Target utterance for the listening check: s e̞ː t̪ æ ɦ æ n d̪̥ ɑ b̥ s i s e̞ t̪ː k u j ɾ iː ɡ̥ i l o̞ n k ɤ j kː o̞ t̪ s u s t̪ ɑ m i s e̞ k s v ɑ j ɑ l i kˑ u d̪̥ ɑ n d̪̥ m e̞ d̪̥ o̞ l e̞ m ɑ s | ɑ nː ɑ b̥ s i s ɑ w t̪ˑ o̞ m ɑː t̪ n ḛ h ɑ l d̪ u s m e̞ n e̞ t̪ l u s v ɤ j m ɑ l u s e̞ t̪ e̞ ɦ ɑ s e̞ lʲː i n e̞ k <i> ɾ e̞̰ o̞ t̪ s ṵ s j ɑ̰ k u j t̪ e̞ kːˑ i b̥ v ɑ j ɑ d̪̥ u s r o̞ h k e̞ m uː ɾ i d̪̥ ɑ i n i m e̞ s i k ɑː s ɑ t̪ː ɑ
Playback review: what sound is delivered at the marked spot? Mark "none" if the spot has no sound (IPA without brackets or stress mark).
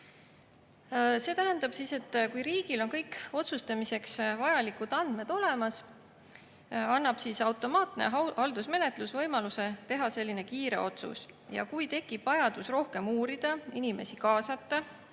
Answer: iː